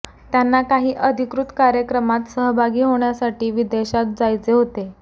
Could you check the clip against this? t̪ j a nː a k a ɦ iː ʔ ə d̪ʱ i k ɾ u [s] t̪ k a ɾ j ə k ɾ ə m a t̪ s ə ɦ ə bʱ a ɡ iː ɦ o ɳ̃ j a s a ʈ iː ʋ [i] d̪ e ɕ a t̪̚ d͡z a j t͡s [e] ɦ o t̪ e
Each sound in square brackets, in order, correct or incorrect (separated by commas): incorrect, correct, correct